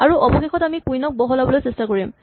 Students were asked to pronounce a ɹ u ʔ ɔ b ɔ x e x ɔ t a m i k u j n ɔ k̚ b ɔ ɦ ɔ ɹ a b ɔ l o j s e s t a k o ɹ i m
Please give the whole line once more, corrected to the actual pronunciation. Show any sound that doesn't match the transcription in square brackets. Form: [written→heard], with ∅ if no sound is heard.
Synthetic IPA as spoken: a ɹ u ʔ ɔ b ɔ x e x ɔ t a m i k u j n ɔ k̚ b ɔ ɦ ɔ [ɹ→l] a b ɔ l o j s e s t a k o ɹ i m